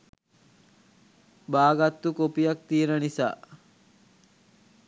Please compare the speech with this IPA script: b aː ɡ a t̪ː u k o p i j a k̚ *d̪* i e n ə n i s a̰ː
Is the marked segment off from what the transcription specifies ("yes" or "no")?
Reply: yes